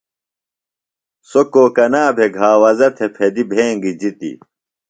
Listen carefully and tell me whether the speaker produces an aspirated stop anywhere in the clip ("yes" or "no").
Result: yes